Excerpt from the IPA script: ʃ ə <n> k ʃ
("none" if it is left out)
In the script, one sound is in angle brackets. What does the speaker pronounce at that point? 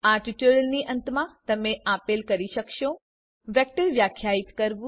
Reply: none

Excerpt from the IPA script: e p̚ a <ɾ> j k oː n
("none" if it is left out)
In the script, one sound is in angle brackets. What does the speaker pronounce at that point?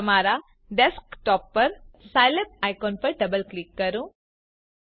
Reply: none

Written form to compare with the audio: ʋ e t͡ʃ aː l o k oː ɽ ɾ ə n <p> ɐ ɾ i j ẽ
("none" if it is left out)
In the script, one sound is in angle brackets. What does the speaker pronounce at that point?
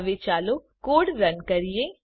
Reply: k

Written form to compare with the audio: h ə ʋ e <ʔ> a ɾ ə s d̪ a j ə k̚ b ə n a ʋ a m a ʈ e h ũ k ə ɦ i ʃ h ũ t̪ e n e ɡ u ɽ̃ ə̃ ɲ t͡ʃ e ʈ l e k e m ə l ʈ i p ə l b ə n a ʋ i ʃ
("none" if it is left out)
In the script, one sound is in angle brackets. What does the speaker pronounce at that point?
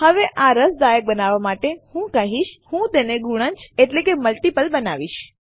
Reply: ʔ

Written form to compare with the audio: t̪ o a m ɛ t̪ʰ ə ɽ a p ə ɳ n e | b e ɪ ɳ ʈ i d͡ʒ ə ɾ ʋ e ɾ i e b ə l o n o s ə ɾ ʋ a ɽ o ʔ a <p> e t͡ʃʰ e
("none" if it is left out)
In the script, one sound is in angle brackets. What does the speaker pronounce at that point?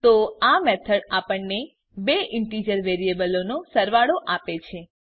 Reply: p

